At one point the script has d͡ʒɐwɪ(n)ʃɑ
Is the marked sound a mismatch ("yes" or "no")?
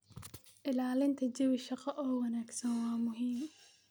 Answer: yes